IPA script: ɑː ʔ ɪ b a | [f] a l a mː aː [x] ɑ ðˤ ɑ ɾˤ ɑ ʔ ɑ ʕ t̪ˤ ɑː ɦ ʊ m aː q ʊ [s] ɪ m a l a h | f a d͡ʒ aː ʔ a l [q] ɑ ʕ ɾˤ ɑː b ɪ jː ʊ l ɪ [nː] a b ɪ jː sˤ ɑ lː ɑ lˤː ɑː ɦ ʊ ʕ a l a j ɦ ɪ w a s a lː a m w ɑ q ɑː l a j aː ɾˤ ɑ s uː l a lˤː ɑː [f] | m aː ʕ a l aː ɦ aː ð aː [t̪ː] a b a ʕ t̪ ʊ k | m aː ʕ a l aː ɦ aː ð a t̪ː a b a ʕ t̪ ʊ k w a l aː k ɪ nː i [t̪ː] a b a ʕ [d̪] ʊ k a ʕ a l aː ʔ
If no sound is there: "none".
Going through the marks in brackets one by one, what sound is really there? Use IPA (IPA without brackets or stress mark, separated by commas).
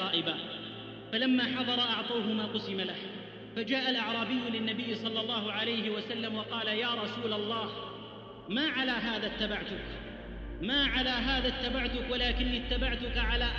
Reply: f, ħ, s, ʔ, nː, h, t̪ː, t̪ː, t̪